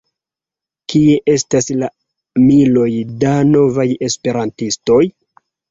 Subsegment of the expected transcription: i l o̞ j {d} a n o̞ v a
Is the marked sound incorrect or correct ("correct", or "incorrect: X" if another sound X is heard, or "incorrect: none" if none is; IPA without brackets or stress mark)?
correct